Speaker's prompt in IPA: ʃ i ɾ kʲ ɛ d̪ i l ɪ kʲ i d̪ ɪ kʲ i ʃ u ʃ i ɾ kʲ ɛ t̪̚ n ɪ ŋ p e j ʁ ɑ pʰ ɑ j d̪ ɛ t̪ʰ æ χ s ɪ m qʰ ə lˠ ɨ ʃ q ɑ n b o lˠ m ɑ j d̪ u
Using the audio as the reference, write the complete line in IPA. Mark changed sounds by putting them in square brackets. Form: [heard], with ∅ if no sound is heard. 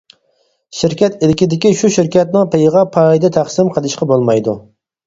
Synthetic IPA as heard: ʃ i ɾ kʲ ɛ [t̪] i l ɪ kʲ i d̪ ɪ kʲ i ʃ u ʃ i ɾ kʲ ɛ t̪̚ n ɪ ŋ p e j ʁ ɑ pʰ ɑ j d̪ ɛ t̪ʰ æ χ s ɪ m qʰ ə lˠ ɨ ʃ q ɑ [∅] b o lˠ m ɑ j d̪ u